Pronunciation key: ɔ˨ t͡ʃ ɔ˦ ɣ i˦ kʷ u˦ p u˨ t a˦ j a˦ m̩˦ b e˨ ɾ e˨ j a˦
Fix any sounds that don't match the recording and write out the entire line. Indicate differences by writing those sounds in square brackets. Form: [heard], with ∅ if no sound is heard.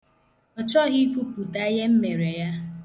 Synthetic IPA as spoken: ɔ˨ t͡ʃ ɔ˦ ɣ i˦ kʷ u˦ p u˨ t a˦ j [e˦] m̩˦ [m] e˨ ɾ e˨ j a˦